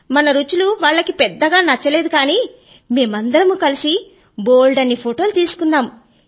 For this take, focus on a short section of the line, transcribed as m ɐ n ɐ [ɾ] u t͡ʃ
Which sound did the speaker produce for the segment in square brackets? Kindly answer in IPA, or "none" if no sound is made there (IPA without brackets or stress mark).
ɾ